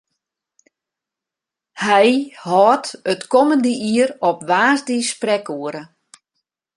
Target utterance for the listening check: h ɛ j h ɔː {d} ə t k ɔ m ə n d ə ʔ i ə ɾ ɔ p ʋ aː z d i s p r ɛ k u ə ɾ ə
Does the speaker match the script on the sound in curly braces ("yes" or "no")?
no